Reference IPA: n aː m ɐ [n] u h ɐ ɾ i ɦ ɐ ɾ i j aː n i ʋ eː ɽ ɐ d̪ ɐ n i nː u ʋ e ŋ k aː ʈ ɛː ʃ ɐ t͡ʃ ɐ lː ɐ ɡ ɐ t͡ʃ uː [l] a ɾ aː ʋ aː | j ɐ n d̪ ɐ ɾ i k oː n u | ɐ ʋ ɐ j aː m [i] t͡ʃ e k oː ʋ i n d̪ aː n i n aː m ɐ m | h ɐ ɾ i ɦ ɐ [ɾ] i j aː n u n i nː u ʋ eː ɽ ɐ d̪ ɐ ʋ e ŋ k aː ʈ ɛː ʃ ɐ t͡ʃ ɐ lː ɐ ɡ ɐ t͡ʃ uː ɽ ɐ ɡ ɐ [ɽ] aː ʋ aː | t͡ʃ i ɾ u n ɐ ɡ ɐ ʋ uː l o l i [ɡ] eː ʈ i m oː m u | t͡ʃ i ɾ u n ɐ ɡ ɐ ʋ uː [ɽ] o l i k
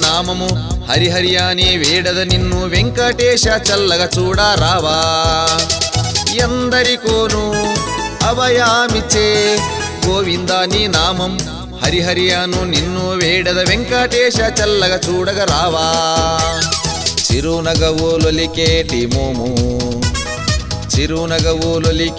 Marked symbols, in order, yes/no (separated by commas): no, no, yes, yes, no, no, no